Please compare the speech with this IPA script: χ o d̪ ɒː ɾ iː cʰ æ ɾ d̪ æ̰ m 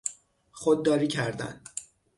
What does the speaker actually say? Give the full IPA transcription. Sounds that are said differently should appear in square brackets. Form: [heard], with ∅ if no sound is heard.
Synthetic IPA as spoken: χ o [d̪ː] ɒː ɾ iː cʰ æ ɾ d̪ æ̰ [n]